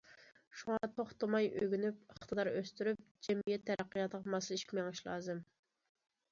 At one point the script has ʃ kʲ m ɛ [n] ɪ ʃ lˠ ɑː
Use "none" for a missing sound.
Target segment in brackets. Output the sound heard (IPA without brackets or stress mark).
ŋ